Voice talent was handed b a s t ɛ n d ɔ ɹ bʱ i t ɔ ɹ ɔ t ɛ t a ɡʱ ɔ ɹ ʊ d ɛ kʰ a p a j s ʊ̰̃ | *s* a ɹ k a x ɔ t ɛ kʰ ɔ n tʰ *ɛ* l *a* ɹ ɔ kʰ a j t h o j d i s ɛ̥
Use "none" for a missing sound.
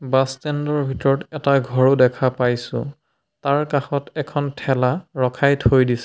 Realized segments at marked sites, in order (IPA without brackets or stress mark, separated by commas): t, ɛ, a